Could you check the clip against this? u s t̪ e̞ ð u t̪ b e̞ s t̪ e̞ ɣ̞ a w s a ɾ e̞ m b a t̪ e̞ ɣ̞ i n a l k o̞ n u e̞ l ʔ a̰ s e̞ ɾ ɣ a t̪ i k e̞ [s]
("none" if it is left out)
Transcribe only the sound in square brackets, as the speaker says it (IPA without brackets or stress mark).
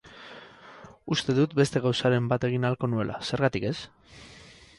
s